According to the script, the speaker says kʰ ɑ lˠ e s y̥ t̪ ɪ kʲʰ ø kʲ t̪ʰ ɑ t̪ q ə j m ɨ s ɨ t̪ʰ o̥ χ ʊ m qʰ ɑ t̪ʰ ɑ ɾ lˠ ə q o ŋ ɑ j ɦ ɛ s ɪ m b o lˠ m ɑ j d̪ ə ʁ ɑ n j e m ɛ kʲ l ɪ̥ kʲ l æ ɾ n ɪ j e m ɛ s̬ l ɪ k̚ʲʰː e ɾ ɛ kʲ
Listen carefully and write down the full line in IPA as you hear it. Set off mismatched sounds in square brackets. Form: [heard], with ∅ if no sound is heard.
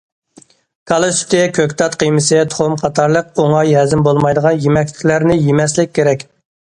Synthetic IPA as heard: kʰ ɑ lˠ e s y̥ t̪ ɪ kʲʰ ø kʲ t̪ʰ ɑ t̪ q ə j m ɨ s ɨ t̪ʰ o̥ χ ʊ m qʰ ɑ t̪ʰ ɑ ɾ lˠ ə q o ŋ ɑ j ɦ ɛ [z] ɪ m b o lˠ m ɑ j d̪ ə ʁ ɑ n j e m ɛ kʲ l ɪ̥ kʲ l æ ɾ n ɪ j e m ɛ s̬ l ɪ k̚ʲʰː e ɾ ɛ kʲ